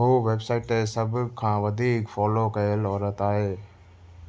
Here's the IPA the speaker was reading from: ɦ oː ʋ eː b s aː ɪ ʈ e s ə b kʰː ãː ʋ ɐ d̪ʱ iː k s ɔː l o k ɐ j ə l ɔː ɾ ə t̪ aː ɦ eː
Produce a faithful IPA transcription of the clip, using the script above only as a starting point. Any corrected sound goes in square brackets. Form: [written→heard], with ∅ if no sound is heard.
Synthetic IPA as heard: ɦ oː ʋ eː b s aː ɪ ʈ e s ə b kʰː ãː ʋ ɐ d̪ʱ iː k [s→f] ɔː l o k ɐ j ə l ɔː ɾ ə t̪ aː ɦ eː